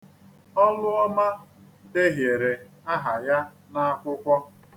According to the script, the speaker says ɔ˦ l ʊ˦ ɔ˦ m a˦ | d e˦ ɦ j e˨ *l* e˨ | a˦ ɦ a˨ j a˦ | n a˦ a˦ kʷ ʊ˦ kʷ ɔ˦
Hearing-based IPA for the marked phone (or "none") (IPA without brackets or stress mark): ɾ